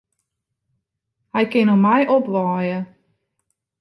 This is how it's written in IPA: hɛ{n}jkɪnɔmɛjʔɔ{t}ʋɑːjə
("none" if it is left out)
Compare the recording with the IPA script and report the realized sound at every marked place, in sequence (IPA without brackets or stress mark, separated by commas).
none, p